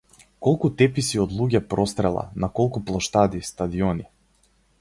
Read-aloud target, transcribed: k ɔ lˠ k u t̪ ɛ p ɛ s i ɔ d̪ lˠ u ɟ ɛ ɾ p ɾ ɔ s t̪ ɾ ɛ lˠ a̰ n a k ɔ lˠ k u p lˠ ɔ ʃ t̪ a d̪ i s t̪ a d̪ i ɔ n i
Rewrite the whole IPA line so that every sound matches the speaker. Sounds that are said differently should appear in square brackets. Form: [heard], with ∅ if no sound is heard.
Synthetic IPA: k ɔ lˠ k u t̪ ɛ p [i] s i ɔ d̪ lˠ u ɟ ɛ [∅] p ɾ ɔ s t̪ ɾ ɛ lˠ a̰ n a k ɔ lˠ k u p lˠ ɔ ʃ t̪ a d̪ i s t̪ a d̪ i ɔ n i